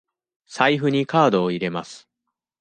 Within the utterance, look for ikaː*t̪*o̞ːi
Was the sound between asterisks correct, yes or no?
no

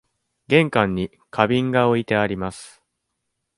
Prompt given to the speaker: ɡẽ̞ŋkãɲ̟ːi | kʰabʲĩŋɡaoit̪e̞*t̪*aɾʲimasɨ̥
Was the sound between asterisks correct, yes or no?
no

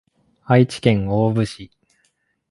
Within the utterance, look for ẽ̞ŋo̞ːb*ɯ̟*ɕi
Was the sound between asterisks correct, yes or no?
yes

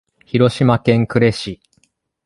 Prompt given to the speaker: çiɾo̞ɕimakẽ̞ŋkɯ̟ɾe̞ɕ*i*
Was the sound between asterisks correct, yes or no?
yes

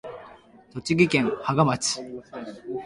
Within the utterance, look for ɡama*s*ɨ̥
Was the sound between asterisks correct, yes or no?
no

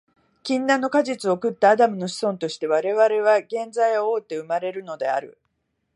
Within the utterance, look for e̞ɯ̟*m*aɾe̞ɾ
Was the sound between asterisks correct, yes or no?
yes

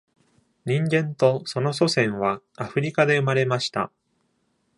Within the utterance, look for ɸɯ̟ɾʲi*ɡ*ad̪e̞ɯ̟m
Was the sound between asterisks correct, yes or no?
no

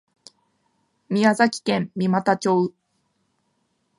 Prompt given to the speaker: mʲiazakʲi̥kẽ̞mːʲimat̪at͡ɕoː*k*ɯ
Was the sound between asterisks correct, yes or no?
no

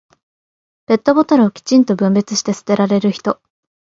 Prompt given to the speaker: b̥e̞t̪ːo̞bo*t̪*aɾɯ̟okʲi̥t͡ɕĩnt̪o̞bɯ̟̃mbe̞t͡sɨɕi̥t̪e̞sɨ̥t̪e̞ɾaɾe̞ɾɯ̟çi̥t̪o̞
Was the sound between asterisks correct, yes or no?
yes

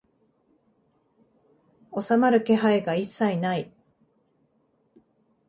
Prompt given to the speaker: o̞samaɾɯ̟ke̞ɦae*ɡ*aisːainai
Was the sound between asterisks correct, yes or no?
yes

